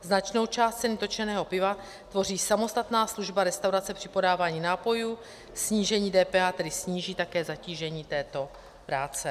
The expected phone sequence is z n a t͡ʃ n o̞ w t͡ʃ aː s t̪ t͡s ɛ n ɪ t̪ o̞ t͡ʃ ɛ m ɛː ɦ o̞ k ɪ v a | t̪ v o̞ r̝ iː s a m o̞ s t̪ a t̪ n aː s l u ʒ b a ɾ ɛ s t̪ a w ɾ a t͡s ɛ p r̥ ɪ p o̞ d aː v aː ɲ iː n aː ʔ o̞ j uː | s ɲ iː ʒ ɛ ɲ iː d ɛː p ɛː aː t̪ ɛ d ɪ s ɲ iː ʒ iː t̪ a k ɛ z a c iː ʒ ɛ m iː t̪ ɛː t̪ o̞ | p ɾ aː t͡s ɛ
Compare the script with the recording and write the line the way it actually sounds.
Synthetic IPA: z n a t͡ʃ n o̞ w t͡ʃ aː s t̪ t͡s ɛ n ɪ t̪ o̞ t͡ʃ ɛ n ɛː ɦ o̞ p ɪ v a | t̪ v o̞ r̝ iː s a m o̞ s t̪ a t̪ n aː s l u ʒ b a ɾ ɛ s t̪ a w ɾ a t͡s ɛ p r̥ ɪ p o̞ d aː v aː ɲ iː n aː p o̞ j uː | s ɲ iː ʒ ɛ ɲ iː d ɛː p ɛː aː t̪ ɛ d ɪ s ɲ iː ʒ iː t̪ a k ɛː z a c iː ʒ ɛ ɲ iː t̪ ɛː t̪ o̞ | p ɾ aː t͡s ɛ